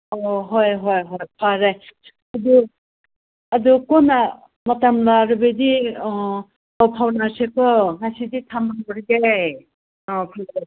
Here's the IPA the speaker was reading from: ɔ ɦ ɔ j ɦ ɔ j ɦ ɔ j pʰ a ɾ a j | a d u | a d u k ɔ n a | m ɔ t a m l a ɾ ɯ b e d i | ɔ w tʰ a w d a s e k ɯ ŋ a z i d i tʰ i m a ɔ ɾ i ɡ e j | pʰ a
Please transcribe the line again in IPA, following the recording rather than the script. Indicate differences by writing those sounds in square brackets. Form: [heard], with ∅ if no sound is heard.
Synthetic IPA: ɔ ɦ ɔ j ɦ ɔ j ɦ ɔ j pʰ a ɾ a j | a d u | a d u k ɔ n a | m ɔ t a m l a ɾ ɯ b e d i | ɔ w [pʰ] a w [n] a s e k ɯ ŋ a [s] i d i tʰ [a] m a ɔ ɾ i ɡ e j | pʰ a